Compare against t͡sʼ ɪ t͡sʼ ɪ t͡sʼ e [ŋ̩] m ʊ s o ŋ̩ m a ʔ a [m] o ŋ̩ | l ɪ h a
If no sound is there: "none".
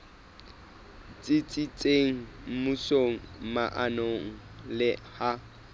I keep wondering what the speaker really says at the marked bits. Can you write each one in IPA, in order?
ŋ̩, n

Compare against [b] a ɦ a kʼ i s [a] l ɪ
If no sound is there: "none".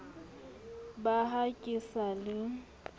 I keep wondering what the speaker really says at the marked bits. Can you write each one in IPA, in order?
b, a

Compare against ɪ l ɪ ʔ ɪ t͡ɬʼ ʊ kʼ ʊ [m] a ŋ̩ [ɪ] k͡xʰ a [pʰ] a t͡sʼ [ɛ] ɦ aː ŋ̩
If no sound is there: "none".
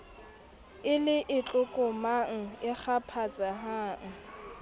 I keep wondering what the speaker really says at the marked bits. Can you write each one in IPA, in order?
m, ɪ, pʰ, a

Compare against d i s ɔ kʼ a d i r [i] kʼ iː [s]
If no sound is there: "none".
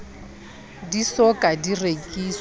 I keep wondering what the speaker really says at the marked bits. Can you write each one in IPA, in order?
e, s

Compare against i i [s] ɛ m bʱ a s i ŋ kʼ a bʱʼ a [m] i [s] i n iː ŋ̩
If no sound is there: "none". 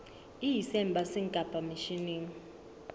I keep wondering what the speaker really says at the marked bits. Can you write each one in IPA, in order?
s, m, ʃ

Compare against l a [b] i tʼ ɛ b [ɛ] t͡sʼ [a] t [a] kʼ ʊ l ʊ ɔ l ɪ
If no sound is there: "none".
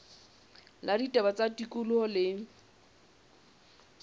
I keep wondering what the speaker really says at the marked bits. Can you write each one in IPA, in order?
d, a, a, i

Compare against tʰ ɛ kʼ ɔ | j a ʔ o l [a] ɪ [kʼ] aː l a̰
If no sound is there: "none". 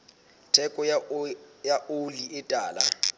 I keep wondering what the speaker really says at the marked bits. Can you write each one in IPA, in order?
i, tʼ

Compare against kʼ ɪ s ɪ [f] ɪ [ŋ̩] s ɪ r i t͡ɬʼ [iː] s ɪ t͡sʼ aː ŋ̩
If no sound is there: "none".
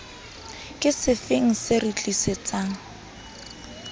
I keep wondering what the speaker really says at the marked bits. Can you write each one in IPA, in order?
f, ŋ̩, i

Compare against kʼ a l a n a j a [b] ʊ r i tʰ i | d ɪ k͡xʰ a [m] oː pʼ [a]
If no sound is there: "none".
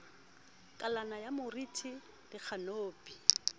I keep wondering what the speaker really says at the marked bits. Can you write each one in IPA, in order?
m, n, i

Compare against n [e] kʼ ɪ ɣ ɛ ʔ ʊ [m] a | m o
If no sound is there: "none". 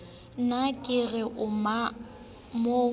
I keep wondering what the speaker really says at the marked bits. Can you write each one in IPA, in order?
a, m

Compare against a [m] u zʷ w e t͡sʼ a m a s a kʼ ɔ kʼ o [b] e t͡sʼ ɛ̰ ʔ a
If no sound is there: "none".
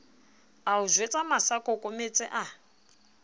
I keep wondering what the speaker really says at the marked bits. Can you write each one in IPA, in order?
none, m

